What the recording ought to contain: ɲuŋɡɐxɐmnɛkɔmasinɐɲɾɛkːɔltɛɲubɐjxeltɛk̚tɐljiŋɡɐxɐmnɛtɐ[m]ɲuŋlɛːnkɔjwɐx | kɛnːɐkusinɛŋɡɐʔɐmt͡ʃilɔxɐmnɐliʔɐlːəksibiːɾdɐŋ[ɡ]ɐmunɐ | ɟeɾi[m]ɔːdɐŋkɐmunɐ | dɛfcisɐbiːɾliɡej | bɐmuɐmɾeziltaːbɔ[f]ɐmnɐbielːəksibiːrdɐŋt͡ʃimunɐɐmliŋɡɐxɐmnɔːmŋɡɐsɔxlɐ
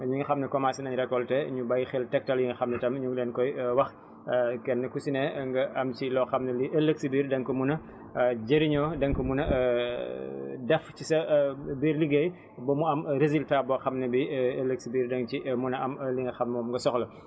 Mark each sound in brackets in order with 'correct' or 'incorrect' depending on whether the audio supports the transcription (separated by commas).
correct, incorrect, incorrect, incorrect